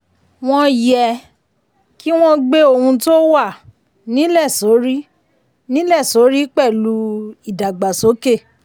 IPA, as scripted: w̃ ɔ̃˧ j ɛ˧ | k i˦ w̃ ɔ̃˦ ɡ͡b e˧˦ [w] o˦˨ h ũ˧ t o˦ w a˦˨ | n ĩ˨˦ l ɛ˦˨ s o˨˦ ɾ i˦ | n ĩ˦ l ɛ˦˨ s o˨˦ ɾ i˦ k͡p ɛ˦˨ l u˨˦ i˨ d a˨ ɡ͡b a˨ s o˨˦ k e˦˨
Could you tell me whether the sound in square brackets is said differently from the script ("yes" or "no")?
yes